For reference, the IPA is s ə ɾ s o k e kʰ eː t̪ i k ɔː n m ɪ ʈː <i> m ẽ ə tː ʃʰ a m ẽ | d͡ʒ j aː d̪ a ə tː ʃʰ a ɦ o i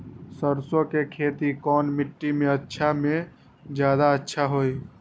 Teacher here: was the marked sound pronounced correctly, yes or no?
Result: yes